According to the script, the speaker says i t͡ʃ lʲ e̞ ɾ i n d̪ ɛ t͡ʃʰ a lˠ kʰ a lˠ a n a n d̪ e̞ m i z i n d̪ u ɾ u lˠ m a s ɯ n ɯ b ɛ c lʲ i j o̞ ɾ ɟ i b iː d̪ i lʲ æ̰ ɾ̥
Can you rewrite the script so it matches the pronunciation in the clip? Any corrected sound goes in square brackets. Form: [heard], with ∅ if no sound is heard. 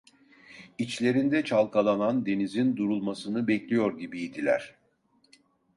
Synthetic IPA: i t͡ʃ lʲ e̞ ɾ i n d̪ ɛ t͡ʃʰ a lˠ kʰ a lˠ a n a n d̪ e̞ [n] i z i n d̪ u ɾ u lˠ m a s ɯ n ɯ b ɛ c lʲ i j o̞ ɾ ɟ i b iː d̪ i lʲ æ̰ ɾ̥